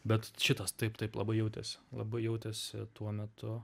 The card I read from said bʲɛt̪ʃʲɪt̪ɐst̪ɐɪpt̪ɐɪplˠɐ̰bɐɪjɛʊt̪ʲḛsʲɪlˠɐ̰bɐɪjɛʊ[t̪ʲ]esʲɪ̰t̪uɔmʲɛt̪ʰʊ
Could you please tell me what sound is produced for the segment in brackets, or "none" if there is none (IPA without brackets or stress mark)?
t̪ʲ